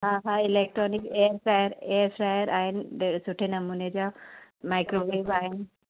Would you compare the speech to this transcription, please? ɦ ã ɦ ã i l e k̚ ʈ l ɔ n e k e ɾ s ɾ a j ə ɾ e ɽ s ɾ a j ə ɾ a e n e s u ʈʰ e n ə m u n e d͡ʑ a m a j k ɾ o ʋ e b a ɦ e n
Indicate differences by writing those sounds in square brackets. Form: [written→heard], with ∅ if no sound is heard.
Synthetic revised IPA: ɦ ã ɦ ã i l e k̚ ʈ [l→ɾ] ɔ n [e→i] k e ɾ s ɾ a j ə ɾ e [ɽ→ɾ] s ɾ a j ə ɾ a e n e s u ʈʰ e n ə m u n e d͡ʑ a m a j k ɾ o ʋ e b a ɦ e n